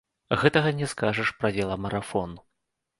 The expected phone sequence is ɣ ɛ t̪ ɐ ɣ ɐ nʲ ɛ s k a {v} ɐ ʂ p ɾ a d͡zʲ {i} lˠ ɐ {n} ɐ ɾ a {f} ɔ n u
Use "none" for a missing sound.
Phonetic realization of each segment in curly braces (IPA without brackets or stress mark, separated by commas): ʐ, ɛ, m, f